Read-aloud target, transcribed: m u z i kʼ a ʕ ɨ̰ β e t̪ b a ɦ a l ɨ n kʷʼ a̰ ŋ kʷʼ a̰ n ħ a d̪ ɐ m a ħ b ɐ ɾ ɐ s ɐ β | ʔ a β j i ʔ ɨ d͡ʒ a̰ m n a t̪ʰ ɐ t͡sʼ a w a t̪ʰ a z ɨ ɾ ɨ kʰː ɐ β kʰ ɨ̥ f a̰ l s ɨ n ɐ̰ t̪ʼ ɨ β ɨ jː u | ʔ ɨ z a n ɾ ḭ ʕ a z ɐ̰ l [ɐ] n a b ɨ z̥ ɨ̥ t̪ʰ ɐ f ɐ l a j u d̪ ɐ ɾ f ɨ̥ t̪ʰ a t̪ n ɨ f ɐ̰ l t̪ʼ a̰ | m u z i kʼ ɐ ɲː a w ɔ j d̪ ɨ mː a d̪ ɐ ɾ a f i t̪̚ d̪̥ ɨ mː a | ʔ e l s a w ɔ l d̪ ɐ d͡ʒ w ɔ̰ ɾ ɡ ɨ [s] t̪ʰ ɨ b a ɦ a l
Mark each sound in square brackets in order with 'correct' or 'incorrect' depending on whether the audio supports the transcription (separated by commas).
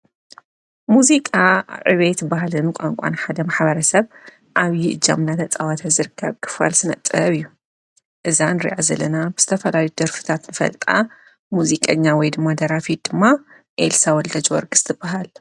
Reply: correct, correct